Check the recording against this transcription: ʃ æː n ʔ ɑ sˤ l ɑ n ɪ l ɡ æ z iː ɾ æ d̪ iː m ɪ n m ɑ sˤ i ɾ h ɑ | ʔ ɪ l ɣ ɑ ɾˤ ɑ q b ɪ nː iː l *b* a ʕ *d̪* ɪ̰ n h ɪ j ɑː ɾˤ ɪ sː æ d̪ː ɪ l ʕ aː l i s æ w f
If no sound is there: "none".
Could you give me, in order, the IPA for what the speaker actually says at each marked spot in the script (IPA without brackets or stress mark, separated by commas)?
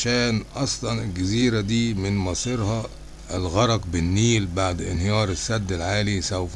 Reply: b, d̪